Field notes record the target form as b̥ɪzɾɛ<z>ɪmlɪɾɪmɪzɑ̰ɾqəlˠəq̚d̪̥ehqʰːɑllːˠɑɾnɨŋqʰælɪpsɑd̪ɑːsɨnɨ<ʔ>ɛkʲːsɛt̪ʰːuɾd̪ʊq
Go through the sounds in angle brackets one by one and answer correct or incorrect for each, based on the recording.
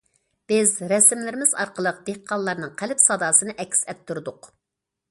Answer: incorrect, correct

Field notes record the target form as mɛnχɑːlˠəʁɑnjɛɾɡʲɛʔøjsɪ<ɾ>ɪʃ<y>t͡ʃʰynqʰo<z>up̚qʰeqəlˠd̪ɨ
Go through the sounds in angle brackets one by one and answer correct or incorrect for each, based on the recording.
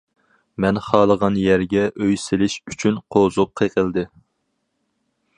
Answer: incorrect, correct, correct

